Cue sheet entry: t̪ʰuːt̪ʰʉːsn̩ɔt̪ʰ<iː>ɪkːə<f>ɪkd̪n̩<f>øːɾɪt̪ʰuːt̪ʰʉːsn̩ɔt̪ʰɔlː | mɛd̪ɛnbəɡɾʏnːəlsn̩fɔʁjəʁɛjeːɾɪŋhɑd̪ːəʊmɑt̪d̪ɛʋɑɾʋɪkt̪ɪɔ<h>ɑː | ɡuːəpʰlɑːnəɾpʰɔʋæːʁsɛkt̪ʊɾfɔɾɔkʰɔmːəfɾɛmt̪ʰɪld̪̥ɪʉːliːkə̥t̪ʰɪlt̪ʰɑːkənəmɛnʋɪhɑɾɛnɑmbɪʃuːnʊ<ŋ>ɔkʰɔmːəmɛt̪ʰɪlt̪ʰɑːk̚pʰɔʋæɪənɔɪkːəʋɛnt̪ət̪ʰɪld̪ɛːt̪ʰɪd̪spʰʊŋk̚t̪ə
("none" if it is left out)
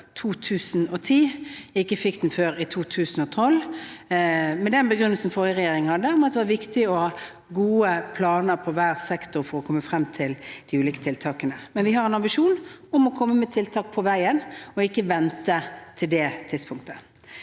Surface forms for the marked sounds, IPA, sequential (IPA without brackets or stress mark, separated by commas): iː, f, f, h, m